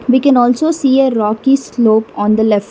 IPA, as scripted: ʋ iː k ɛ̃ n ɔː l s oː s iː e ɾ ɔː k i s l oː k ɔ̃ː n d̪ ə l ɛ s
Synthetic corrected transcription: ʋ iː k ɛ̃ n ɔː l s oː s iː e ɾ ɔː k i s l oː p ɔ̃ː n d̪ ə l ɛ f